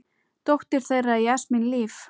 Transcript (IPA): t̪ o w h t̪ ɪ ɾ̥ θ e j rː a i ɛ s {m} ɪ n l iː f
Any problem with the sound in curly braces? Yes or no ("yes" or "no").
no